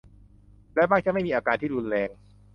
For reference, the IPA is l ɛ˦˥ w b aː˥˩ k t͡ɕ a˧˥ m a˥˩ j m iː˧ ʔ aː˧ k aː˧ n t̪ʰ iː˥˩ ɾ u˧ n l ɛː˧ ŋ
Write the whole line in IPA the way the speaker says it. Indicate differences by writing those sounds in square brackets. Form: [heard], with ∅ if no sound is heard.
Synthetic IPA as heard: l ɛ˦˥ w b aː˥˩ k t͡ɕ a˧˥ m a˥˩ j m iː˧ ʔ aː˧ k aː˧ n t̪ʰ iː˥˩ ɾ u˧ n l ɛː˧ ŋ